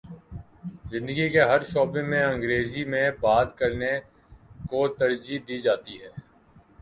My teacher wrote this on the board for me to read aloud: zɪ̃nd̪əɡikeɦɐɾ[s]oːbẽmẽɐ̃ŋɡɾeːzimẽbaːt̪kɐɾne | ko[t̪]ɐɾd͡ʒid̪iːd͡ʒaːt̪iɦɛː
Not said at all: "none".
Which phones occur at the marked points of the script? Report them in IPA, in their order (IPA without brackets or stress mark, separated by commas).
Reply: ʃ, t̪